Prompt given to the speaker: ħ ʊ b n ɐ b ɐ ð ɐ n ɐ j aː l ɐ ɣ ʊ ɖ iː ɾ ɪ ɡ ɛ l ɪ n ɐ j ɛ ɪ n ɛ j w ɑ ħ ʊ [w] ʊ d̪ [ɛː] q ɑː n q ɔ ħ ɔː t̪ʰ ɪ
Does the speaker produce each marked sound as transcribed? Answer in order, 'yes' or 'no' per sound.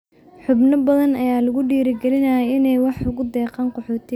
no, yes

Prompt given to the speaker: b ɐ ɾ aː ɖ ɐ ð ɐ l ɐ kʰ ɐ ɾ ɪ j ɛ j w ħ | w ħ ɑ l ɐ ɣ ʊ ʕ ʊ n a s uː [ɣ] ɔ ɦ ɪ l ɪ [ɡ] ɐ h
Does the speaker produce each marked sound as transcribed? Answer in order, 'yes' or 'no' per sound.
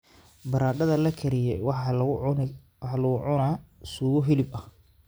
yes, no

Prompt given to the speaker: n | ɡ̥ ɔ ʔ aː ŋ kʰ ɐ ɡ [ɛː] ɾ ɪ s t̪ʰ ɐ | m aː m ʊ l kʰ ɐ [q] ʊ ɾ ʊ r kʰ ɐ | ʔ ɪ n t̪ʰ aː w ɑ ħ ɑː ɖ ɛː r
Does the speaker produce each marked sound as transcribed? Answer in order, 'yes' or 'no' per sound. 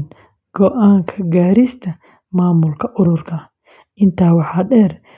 no, no

